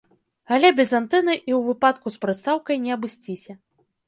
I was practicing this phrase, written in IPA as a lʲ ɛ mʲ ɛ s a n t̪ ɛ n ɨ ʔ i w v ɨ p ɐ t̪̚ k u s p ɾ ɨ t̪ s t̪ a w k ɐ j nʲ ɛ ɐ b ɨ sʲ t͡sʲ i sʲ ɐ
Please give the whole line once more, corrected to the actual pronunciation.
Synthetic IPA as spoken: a lʲ ɛ bʲ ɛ z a n t̪ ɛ n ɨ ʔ i w v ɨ p a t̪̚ k u s p ɾ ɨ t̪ s t̪ a w k ɐ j nʲ ɛ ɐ b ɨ sʲ t͡sʲ i sʲ ɐ